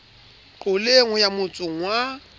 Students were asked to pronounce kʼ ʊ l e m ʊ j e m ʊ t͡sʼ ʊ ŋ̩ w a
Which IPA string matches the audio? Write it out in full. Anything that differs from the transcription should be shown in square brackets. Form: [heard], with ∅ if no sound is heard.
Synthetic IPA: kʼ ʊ l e [ŋ] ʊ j [a] m ʊ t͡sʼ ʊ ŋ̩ w a